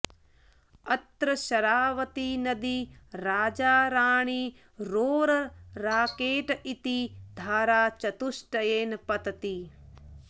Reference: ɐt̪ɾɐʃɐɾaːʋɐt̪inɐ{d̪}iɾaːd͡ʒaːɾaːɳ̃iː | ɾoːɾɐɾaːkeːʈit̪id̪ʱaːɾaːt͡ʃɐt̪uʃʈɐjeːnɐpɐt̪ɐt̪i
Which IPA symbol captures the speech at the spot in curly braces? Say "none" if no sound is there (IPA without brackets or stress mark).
d̪